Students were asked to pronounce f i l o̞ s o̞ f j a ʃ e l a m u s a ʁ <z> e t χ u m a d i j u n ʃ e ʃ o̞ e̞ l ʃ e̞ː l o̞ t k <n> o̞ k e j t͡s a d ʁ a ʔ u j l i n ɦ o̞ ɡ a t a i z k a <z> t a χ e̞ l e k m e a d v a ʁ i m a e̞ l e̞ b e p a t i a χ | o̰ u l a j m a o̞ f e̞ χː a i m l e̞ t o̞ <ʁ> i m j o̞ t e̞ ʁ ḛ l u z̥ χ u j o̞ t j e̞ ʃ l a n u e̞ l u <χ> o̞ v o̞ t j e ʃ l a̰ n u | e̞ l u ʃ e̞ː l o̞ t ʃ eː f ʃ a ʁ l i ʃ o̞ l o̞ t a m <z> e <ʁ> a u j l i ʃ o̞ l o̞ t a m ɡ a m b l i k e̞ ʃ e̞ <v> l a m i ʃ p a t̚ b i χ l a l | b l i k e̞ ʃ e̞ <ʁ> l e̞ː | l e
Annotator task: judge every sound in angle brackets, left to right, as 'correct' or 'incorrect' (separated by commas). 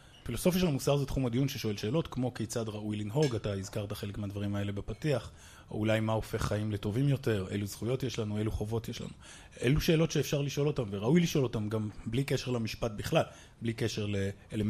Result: correct, incorrect, incorrect, incorrect, correct, incorrect, correct, incorrect, correct